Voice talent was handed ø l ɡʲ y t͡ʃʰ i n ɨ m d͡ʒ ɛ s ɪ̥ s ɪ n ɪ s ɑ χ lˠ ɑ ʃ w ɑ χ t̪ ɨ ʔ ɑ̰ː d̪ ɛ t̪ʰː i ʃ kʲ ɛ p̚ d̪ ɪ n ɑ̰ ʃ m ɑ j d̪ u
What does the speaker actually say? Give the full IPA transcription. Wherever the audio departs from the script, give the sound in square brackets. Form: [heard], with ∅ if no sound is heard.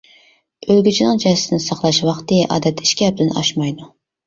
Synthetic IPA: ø l ɡʲ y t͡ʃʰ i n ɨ [ŋ] d͡ʒ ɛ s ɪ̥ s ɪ n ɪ s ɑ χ lˠ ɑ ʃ w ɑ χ t̪ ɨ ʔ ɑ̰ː d̪ ɛ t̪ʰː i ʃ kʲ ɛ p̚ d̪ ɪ n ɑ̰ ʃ m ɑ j d̪ u

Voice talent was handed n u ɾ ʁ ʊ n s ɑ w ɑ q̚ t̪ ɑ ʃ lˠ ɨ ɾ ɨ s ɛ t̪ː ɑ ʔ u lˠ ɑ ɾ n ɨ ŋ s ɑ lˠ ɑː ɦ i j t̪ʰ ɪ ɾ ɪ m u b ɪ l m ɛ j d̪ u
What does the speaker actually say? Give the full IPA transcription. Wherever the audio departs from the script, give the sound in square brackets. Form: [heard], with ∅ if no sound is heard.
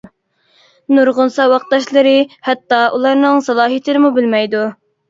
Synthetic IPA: n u ɾ ʁ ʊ n s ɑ w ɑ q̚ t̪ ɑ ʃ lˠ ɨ ɾ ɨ [h] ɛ t̪ː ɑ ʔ u lˠ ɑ ɾ n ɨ ŋ s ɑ lˠ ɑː ɦ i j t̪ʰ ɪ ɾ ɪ m u b ɪ l m ɛ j d̪ u

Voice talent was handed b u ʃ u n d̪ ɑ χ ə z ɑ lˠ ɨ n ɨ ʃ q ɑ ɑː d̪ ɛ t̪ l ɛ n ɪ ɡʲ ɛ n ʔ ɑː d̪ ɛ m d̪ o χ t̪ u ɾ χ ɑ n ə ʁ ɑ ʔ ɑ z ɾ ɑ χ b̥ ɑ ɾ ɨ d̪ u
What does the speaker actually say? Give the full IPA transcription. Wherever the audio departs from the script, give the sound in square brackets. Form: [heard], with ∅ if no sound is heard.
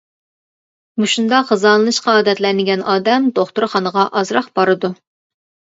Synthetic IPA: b u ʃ u n d̪ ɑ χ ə z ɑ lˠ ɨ n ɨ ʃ q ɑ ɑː d̪ ɛ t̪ l ɛ n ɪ ɡʲ ɛ n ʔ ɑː d̪ ɛ m d̪ o χ t̪ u ɾ χ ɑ n ə ʁ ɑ ʔ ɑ z ɾ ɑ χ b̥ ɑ ɾ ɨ d̪ u

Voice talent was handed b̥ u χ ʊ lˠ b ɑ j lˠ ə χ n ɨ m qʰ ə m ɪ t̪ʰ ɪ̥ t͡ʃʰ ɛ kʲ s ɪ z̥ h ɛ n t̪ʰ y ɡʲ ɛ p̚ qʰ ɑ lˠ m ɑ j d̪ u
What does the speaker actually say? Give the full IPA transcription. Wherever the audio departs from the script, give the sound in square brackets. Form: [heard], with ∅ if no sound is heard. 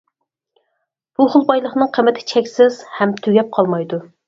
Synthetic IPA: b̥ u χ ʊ lˠ b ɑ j lˠ ə χ n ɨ [ŋ] qʰ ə m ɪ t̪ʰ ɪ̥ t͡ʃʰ ɛ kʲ s ɪ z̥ h ɛ [m] t̪ʰ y ɡʲ ɛ p̚ qʰ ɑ lˠ m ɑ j d̪ u

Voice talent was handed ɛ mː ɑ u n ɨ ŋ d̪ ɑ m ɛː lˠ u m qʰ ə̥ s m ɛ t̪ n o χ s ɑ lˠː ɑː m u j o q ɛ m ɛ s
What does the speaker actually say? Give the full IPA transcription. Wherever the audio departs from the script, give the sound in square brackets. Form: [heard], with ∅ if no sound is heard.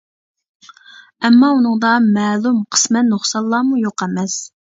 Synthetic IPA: ɛ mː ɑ u n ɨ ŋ d̪ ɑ m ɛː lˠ u m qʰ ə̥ s m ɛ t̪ n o χ s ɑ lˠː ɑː m u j o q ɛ m ɛ s

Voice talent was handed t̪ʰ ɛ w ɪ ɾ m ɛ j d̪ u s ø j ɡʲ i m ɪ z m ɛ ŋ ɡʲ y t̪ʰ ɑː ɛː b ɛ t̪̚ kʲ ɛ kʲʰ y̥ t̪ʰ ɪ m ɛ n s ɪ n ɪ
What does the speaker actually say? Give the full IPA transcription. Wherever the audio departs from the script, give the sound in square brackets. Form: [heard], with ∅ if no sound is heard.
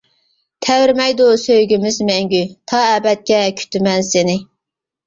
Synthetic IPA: t̪ʰ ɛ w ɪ ɾ m ɛ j d̪ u s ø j ɡʲ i m ɪ z m ɛ ŋ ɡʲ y t̪ʰ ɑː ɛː b ɛ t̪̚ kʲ ɛ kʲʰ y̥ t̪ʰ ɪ m ɛ n s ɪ n ɪ

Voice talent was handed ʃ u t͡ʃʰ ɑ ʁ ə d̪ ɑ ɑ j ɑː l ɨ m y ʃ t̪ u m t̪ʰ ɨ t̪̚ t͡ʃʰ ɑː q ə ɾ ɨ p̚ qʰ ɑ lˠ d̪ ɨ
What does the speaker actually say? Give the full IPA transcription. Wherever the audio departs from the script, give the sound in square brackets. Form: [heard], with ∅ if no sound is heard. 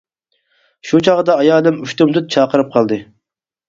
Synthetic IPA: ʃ u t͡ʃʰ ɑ ʁ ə d̪ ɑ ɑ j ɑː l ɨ m y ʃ t̪ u m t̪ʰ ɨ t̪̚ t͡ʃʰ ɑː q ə ɾ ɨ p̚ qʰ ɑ lˠ d̪ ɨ

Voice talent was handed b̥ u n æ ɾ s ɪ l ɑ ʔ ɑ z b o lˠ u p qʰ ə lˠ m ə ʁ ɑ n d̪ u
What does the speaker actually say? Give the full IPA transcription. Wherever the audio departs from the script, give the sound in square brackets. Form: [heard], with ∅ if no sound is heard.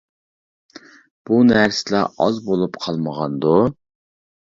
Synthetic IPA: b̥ u n æ ɾ s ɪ l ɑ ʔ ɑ z b o lˠ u p qʰ [ɑ] lˠ m ə ʁ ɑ n d̪ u

